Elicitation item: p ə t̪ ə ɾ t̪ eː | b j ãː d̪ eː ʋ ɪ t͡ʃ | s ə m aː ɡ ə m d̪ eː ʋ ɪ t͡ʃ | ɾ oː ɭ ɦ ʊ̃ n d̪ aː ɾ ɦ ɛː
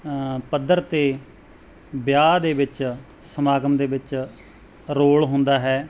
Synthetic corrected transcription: p ə d̪ ə ɾ t̪ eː | b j aː d̪ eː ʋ ɪ t͡ʃ | s ə m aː ɡ ə m d̪ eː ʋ ɪ t͡ʃ | ɾ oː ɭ ɦ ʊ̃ n d̪ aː ɦ ɛː